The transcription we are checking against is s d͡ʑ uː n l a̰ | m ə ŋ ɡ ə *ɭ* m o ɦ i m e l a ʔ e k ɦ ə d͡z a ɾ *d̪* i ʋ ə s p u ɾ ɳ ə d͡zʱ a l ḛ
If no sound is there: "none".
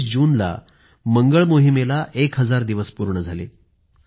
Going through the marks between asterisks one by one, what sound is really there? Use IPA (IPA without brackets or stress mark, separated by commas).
ɭ, d̪